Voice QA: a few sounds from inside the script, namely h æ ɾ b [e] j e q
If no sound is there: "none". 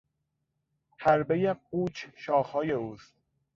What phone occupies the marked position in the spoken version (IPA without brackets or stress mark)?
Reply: e